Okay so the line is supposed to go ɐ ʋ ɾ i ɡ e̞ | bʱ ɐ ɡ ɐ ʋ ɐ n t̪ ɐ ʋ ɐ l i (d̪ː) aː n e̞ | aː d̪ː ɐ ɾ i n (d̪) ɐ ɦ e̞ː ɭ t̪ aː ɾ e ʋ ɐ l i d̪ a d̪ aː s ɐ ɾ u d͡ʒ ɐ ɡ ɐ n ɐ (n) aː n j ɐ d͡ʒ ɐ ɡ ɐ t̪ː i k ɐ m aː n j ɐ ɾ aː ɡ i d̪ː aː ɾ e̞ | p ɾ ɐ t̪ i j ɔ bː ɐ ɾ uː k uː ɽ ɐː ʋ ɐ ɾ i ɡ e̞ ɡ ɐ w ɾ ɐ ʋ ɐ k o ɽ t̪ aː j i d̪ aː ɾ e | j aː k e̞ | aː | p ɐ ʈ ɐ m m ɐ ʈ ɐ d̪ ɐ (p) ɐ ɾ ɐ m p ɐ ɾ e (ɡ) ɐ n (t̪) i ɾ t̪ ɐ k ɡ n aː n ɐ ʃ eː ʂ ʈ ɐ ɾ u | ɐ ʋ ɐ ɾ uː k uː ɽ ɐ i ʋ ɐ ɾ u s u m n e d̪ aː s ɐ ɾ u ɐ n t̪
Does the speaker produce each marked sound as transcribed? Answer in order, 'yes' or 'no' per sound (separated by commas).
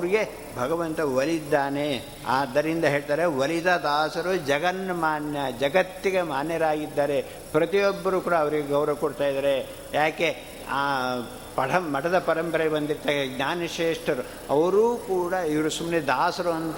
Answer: yes, yes, no, yes, no, no